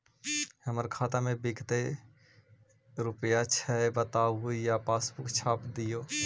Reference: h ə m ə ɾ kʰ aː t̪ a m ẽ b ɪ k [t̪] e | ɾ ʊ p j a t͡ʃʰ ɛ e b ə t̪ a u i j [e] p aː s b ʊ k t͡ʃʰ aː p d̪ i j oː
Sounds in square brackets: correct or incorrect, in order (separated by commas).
correct, incorrect